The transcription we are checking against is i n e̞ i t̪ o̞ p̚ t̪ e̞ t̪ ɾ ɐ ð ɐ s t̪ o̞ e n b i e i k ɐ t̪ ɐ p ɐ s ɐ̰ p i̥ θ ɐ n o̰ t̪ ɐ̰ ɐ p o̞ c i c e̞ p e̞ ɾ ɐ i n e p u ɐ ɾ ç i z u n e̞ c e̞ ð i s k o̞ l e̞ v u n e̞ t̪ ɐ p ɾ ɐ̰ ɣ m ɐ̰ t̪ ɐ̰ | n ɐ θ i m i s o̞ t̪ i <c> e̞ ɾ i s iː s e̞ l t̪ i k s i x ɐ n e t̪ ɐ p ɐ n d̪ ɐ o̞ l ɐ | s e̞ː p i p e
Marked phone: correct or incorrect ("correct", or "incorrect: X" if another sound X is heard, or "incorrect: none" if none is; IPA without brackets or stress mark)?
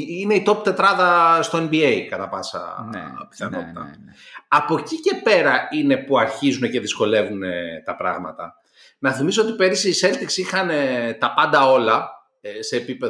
incorrect: p